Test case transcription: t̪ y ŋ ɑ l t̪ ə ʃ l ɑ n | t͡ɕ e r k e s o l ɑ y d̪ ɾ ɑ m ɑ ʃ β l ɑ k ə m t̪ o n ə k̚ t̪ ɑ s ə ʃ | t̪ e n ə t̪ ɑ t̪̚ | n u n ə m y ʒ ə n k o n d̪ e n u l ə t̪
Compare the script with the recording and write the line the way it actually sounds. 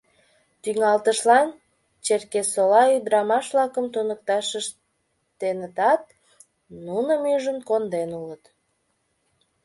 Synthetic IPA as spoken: t̪ y ŋ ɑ l t̪ ə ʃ l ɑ n | t͡ɕ e r k e s o l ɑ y d̪ ɾ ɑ m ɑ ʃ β l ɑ k ə m t̪ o n ə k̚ t̪ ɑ ʃ ə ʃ | t̪ e n ə t̪ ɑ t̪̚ | n u n ə m y ʒ ə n k o n d̪ e n u l ə t̪